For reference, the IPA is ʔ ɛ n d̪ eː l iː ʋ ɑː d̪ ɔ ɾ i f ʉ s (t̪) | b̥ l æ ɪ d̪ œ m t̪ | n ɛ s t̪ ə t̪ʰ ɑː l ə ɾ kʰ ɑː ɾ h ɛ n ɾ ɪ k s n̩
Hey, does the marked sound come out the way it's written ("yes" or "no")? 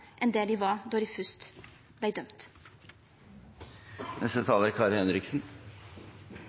yes